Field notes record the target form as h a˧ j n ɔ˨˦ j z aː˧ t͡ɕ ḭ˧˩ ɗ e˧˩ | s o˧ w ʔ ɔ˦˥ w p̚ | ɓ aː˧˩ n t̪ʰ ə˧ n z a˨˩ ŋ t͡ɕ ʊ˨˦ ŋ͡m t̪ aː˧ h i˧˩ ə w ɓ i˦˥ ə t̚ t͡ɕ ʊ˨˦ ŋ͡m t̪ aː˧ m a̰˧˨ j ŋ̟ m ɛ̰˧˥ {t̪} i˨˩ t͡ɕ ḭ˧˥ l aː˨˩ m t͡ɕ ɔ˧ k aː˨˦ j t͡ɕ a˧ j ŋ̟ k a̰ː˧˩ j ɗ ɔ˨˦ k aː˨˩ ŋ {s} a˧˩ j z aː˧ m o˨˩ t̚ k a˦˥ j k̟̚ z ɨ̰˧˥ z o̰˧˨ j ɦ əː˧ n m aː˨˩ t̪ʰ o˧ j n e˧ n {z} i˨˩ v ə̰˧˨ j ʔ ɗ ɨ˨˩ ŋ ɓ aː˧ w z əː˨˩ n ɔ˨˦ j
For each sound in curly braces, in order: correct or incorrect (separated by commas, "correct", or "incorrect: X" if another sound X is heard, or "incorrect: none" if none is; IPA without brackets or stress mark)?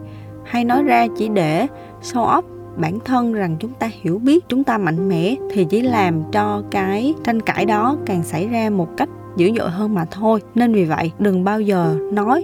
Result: incorrect: t̪ʰ, correct, incorrect: v